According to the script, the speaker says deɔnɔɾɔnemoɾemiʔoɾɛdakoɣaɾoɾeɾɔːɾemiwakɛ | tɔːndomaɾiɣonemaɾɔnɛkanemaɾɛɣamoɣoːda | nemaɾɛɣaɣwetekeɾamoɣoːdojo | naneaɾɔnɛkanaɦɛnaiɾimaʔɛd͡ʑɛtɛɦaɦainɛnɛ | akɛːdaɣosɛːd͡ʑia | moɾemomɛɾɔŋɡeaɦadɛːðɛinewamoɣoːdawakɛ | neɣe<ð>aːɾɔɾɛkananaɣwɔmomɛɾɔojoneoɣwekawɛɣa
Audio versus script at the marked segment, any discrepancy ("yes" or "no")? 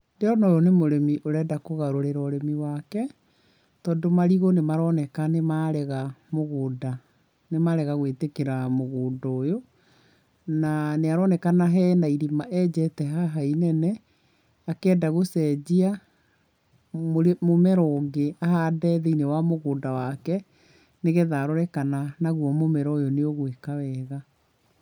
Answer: no